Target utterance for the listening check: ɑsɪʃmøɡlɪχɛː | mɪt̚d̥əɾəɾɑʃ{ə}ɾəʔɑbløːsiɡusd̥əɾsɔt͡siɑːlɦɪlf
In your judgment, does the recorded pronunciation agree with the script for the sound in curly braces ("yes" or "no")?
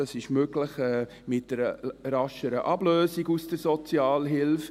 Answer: yes